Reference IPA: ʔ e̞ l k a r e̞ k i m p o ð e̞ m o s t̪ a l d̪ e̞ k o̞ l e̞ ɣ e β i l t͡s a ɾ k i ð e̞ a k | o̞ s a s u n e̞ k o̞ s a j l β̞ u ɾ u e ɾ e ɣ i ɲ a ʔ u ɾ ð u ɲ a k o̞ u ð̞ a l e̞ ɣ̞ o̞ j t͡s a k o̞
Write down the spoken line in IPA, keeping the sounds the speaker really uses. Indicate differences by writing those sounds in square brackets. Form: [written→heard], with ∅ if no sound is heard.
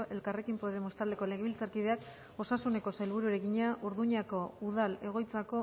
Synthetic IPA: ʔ e̞ l k a r e̞ k i m p o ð e̞ m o s t̪ a l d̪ e̞ k o̞ l e̞ ɣ e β i l t͡s a ɾ k i ð e̞ a k | o̞ s a s u n e̞ k o̞ s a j l β̞ u ɾ u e ɾ e ɣ i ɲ a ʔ u ɾ ð u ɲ a k o̞ u ð̞ a l e̞ ɣ̞ o̞ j t͡s a k o̞